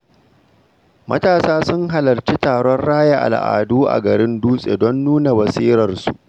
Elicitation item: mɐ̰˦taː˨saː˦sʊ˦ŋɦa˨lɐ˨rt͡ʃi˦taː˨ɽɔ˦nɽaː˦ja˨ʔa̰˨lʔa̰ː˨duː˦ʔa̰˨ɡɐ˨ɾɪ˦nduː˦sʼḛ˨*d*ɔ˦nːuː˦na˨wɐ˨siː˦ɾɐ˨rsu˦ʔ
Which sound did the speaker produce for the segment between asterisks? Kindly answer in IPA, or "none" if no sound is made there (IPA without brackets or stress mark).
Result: d